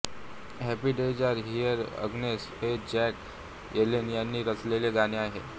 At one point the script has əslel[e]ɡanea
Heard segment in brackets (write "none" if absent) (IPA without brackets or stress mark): e